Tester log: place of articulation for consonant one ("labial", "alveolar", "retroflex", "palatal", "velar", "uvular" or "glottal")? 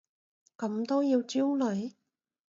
velar